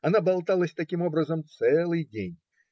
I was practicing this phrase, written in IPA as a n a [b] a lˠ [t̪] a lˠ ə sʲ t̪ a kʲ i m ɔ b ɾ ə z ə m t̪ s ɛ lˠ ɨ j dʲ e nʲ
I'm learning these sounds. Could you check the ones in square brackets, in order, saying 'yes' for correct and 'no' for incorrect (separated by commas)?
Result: yes, yes